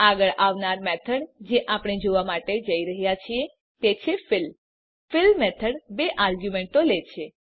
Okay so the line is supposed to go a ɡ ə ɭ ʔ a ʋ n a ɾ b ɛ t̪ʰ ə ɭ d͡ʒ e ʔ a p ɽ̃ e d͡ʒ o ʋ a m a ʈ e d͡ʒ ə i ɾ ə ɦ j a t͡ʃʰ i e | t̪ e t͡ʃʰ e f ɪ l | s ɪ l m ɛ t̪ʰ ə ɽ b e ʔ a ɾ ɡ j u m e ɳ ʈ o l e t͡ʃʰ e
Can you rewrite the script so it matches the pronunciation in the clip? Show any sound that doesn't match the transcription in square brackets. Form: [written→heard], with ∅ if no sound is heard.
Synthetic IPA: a ɡ ə ɭ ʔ a ʋ n a ɾ [b→m] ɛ t̪ʰ ə [ɭ→ɽ] d͡ʒ e ʔ a p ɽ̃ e d͡ʒ o ʋ a m a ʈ e d͡ʒ ə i ɾ ə ɦ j a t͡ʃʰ i e | t̪ e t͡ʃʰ e f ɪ l | [s→f] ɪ l m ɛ t̪ʰ ə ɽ b e ʔ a ɾ ɡ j u m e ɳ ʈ o l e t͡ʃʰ e